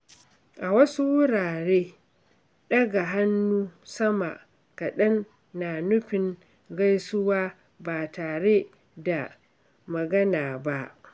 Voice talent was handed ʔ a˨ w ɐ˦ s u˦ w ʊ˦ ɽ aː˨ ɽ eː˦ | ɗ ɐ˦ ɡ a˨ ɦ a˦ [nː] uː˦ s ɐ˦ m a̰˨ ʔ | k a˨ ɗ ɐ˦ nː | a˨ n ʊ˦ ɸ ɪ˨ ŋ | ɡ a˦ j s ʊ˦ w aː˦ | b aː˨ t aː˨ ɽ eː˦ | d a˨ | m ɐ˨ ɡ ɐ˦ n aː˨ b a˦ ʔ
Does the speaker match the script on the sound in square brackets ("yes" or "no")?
yes